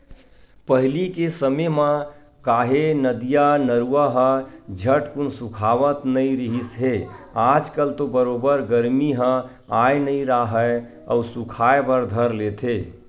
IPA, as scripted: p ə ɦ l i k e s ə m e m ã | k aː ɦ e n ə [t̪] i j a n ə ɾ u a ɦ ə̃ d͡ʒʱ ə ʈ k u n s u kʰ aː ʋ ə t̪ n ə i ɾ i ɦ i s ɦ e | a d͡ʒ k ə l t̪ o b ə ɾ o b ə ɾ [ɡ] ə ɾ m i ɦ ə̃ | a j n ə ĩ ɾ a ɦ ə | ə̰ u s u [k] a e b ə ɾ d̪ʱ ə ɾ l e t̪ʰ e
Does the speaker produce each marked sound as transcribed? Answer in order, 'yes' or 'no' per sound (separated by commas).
no, yes, no